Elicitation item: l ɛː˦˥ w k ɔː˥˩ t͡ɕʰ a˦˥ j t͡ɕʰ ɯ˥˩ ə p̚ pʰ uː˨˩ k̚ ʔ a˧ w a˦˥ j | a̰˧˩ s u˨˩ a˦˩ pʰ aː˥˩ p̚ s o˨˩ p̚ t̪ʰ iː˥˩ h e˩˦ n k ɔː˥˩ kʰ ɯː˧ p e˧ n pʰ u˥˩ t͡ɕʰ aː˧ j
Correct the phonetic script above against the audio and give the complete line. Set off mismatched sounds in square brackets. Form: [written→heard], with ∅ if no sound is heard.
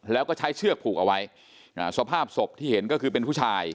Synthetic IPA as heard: l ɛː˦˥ w k ɔː˥˩ t͡ɕʰ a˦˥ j t͡ɕʰ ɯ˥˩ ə [p̚→k̚] pʰ uː˨˩ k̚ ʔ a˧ w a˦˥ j | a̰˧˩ s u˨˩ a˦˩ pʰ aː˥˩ p̚ s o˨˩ p̚ t̪ʰ iː˥˩ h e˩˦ n k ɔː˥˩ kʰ ɯː˧ p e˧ n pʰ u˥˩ t͡ɕʰ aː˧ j